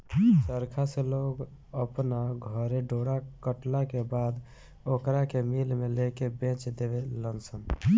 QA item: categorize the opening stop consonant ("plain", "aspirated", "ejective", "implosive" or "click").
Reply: aspirated